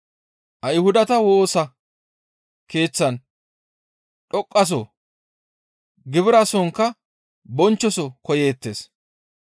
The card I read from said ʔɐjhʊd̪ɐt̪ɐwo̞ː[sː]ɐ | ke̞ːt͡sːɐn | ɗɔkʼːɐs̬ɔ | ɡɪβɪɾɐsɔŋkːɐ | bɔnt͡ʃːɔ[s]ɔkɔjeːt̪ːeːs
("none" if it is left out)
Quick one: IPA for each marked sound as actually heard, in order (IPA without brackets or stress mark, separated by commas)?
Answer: s, s